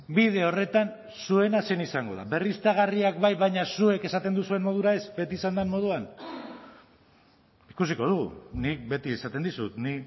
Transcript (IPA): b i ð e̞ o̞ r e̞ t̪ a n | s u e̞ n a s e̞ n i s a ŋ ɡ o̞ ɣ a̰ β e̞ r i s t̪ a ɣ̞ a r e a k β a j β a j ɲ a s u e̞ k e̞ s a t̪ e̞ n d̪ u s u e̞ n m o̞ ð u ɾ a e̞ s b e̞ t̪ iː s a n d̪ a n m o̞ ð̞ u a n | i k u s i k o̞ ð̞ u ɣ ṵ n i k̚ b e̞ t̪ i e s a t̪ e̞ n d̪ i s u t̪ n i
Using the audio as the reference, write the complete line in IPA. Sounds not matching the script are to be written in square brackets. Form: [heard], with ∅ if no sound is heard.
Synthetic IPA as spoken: b i ð e̞ o̞ r e̞ t̪ a n | s u e̞ n a s e̞ n i s a ŋ ɡ o̞ [ð] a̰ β e̞ r i s t̪ a ɣ̞ a r [i] a k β a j β a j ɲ a s u e̞ k e̞ s a t̪ e̞ n d̪ u s u e̞ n m o̞ ð u ɾ a e̞ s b e̞ t̪ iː s a n d̪ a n m o̞ ð̞ u a n | i k u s i k o̞ ð̞ u ɣ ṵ n i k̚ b e̞ t̪ i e s a t̪ e̞ n d̪ i s u t̪ n i